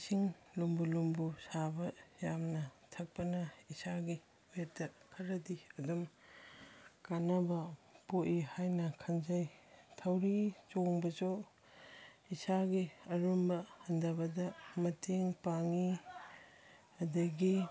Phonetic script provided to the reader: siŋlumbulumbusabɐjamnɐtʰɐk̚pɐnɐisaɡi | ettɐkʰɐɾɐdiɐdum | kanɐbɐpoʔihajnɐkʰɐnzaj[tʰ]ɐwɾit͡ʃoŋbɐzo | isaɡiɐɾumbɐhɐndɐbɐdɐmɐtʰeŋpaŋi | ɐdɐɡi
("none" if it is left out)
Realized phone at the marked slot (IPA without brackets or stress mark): tʰ